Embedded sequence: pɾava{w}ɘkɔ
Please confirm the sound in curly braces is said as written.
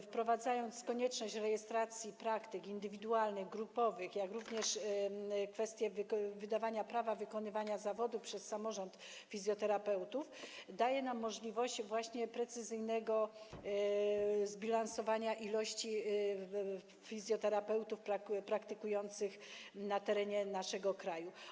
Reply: no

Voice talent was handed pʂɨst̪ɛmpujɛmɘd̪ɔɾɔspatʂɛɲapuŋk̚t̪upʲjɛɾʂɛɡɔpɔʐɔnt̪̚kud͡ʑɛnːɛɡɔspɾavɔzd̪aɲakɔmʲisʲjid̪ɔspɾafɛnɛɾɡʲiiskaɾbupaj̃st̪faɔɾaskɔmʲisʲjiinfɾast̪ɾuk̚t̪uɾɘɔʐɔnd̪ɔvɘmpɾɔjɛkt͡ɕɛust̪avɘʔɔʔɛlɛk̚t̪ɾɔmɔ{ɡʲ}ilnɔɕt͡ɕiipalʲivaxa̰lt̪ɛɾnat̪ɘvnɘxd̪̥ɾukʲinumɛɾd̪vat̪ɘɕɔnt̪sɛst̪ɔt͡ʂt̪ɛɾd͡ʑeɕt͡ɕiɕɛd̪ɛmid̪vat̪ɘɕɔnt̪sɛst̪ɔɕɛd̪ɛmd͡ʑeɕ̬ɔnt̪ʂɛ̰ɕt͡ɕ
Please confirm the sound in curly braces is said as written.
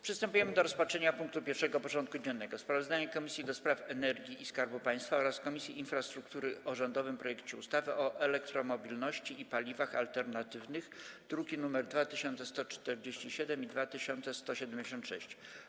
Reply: no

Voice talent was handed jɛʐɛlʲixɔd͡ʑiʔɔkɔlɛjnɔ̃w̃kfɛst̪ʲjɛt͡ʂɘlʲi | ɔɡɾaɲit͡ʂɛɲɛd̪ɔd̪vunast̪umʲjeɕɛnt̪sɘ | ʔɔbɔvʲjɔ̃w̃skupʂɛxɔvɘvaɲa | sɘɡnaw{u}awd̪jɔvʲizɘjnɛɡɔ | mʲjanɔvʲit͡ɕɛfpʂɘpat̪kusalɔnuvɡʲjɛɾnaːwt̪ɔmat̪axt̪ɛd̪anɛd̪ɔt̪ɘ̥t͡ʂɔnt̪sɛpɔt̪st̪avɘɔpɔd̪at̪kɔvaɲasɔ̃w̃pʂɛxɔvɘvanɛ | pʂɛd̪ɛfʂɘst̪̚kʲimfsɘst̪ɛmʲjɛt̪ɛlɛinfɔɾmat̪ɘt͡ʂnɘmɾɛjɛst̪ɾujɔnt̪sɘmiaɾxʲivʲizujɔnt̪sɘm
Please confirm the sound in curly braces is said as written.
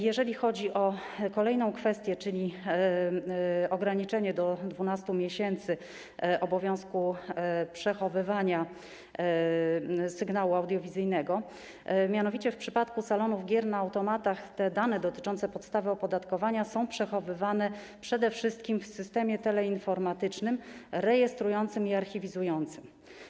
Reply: yes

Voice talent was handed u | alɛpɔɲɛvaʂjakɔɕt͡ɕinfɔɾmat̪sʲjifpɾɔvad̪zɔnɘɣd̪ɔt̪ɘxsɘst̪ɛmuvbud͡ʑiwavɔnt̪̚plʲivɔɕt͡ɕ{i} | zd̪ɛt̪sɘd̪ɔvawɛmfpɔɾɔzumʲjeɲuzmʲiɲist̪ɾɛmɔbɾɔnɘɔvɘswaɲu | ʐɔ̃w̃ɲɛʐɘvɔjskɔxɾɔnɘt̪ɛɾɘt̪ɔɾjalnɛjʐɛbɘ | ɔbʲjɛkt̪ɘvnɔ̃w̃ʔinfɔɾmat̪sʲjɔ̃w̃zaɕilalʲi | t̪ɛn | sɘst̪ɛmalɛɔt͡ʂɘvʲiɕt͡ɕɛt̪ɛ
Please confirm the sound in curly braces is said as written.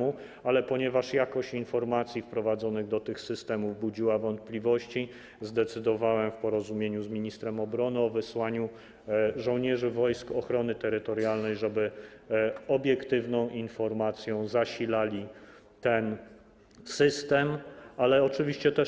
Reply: yes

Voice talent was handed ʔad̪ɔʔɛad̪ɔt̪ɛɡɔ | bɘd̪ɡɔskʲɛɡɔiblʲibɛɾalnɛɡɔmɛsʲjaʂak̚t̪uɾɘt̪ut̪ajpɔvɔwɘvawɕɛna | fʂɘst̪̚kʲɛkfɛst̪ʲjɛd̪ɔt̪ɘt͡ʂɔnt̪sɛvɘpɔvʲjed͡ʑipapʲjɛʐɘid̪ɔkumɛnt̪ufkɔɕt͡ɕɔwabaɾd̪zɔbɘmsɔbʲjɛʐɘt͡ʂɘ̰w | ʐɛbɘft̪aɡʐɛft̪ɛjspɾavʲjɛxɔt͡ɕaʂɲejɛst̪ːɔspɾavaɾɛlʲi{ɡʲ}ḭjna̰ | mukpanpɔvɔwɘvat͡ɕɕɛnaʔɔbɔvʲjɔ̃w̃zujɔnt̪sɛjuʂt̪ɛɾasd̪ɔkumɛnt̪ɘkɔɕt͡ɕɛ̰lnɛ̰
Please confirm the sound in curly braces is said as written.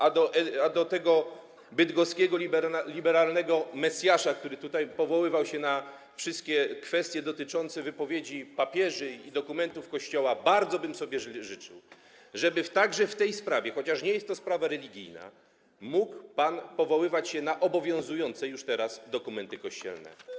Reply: yes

